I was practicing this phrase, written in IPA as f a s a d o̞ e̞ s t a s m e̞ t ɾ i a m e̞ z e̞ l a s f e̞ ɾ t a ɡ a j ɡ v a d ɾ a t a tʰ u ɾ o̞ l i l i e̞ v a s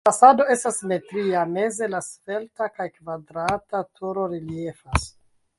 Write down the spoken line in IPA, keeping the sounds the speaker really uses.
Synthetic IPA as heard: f a s a d o̞ e̞ s t a s m e̞ t ɾ i a m e̞ z e̞ l a s f e̞ l t a k a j k v a d ɾ a t a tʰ u ɾ o̞ ɾ i l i e̞ f a s